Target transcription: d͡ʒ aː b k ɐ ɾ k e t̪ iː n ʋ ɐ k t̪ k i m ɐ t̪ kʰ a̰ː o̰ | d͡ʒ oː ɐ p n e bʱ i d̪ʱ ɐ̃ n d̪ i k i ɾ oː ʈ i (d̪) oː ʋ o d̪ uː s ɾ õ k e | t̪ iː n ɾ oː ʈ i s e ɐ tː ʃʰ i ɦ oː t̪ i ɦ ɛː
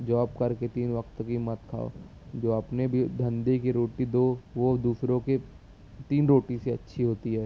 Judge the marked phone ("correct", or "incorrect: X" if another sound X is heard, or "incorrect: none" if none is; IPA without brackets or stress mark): correct